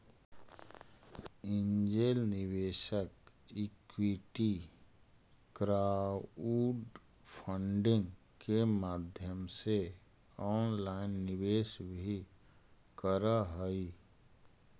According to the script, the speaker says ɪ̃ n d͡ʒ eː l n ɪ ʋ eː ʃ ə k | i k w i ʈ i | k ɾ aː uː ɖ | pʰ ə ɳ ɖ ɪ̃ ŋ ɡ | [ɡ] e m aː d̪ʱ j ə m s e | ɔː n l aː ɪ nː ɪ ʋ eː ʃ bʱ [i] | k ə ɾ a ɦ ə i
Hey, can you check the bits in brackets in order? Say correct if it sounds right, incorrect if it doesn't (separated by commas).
incorrect, correct